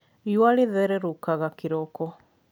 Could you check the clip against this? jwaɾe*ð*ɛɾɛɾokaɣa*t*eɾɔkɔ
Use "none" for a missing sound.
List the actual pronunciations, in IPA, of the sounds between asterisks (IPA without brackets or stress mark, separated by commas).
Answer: ð, k